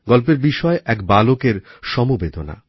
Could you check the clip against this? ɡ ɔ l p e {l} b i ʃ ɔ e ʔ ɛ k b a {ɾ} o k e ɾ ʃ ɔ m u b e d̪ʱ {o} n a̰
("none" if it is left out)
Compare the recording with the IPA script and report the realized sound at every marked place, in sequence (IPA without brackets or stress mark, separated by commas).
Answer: ɾ, l, o